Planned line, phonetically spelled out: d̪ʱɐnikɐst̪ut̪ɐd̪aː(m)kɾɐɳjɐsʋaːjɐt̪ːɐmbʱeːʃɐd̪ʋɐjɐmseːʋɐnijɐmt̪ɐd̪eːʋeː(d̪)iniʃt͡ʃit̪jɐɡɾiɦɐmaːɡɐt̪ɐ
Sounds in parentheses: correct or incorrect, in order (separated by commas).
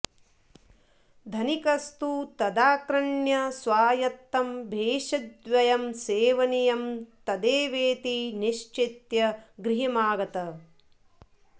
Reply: incorrect, incorrect